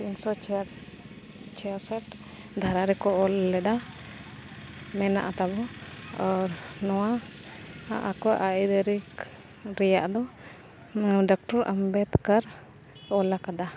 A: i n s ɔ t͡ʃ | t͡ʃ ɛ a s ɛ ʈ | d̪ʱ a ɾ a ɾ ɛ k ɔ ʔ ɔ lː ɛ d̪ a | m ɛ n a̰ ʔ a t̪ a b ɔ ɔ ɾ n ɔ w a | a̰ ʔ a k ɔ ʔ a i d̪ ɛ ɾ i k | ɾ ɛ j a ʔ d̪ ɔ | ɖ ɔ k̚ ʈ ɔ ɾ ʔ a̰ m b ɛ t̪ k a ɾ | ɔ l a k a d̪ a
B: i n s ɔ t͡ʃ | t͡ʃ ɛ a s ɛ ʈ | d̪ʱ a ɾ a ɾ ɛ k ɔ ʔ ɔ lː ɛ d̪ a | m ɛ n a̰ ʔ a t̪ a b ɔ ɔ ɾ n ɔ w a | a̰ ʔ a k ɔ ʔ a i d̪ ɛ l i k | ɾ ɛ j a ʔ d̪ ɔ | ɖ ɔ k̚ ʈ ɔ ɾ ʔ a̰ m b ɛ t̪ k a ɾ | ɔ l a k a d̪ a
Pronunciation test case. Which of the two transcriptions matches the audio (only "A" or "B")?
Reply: A